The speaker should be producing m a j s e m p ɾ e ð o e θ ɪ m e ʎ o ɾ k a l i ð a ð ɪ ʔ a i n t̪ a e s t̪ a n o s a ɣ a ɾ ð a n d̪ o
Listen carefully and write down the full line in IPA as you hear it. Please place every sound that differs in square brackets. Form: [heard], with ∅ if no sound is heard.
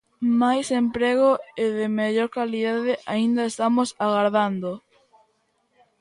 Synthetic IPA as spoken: m a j s e m p ɾ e [ɣ] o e [ð] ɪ m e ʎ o ɾ k a l i ð a ð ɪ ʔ a i n [d̪] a e s t̪ a [m] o s a ɣ a ɾ ð a n d̪ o